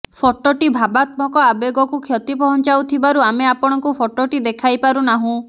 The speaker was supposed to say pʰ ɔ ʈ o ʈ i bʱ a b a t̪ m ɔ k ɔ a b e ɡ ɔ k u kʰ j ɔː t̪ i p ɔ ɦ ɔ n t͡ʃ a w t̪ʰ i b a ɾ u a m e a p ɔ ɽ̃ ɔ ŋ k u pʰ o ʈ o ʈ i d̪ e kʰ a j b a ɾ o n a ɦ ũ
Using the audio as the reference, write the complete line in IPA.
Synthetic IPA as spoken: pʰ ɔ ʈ o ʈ i bʱ a b a t̪ m ɔ k ɔ a b e ɡ ɔ k u kʰ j ɔ t̪ i p ɔ ɦ ɔ n t͡ʃ a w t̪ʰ i b a ɾ u a m e a p ɔ ɽ̃ ɔ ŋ k u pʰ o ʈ o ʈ i d̪ e kʰ a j p a ɾ u n a ɦ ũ